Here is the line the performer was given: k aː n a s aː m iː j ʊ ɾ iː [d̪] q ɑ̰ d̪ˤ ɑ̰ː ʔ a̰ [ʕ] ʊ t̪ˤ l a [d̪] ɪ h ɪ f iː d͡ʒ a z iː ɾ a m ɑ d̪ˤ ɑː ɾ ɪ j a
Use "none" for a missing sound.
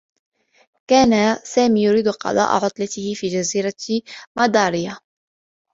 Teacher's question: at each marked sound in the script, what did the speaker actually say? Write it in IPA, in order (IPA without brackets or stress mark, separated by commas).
d̪, ʕ, t̪